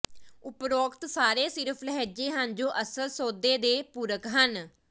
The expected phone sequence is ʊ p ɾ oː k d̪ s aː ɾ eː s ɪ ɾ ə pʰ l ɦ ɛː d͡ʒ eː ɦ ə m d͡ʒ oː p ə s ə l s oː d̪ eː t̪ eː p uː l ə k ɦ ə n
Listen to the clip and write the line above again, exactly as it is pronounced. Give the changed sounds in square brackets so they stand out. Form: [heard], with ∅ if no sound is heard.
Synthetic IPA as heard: ʊ p ɾ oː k [t̪] s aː ɾ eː s ɪ ɾ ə pʰ l ɦ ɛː d͡ʒ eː ɦ ə [n] d͡ʒ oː [ʔ] ə s ə l s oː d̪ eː [d̪] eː p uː [ɾ] ə k ɦ ə n